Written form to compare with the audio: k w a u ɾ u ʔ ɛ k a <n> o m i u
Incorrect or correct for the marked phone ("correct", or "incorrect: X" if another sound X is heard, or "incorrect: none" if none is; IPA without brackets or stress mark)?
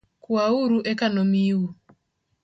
correct